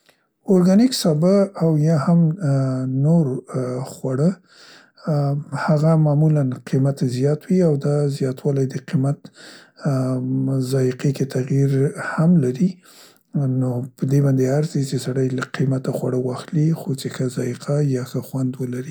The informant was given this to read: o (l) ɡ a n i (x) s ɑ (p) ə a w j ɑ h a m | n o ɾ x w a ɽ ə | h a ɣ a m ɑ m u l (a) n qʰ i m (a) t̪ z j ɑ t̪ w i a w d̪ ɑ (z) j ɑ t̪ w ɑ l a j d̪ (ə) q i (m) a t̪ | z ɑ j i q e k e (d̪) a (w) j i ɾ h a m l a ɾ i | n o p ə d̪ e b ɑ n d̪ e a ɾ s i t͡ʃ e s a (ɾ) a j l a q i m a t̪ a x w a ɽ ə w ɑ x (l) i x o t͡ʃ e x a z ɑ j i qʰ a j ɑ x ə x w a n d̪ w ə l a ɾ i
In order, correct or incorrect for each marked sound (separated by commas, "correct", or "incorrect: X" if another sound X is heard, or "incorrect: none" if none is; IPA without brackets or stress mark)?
incorrect: ɾ, incorrect: k, incorrect: b, correct, correct, correct, correct, correct, incorrect: t̪, incorrect: ɣ, incorrect: ɽ, correct